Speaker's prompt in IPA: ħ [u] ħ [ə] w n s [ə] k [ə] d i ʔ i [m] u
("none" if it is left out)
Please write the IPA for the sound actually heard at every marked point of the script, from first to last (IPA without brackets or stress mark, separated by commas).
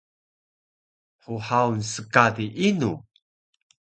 u, a, ə, a, n